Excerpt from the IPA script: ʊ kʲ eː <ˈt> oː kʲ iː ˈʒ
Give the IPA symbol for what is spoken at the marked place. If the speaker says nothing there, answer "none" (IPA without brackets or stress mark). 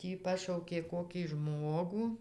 k